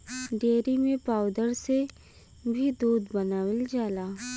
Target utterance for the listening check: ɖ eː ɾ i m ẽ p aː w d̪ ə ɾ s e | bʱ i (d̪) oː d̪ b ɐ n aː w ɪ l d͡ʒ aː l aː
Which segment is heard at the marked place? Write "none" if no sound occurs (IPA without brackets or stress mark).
d̪